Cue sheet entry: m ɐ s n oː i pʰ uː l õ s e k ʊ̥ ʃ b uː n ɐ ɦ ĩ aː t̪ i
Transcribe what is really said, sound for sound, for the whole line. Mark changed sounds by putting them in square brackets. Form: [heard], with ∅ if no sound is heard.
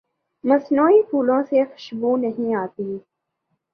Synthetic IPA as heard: m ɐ s n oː i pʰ uː l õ s e [x] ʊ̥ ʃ b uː n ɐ ɦ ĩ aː t̪ i